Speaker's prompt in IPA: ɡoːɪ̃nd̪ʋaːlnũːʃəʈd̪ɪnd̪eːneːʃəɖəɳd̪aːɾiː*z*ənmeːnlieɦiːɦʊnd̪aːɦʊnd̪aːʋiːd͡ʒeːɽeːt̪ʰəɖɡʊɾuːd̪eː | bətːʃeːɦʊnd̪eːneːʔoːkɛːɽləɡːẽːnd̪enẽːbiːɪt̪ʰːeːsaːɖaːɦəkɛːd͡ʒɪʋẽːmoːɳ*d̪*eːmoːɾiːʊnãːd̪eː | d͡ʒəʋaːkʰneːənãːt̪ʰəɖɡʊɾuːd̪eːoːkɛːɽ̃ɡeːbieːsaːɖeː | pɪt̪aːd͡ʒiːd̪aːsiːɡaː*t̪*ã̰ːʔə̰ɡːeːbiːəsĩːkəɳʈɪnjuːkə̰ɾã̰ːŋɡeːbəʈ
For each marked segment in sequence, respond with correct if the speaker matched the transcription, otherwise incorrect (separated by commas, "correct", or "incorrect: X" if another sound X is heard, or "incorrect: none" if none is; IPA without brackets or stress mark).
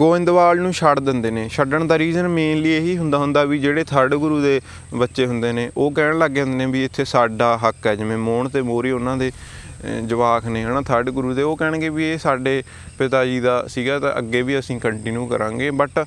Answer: correct, incorrect: t̪, correct